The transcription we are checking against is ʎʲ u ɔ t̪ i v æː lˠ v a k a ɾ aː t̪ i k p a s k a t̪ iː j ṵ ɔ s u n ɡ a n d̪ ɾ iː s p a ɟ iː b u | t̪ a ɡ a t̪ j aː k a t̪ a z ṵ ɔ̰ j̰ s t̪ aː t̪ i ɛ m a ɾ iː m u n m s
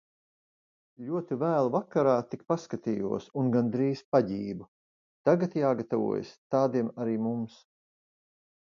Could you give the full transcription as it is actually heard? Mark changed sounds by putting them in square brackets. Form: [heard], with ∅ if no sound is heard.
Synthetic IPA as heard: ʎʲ u ɔ t̪ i v æː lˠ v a k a ɾ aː t̪ i k p a s k a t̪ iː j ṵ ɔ s u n ɡ a n d̪ ɾ iː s p a ɟ iː b u | t̪ a ɡ a t̪ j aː [ɡ] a t̪ a [v] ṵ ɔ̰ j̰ s t̪ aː [d̪] i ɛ m a ɾ iː m u [∅] m s